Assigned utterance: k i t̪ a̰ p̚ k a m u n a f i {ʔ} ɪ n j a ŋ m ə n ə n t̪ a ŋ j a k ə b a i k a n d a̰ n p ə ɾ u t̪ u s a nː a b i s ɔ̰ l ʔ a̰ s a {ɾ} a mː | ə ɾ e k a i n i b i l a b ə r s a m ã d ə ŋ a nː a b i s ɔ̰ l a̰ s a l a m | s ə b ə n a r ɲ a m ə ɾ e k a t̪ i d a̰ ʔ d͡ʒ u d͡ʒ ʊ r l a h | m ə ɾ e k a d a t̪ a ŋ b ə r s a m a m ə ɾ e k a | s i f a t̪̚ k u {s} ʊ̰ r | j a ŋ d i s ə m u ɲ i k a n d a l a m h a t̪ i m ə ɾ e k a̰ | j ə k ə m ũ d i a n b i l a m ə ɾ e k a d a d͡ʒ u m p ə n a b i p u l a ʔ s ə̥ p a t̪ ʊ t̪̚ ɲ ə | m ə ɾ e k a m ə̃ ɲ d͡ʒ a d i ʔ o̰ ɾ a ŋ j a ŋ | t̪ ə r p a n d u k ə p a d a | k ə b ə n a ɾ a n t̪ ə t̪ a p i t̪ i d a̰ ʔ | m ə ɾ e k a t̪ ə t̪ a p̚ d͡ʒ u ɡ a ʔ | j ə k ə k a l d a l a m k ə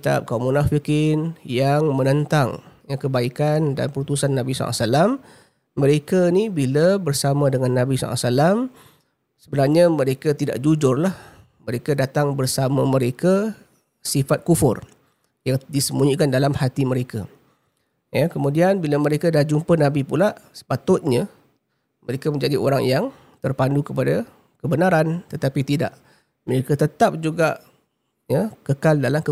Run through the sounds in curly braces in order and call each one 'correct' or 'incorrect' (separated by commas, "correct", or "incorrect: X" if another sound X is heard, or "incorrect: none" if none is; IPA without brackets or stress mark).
incorrect: k, incorrect: l, incorrect: f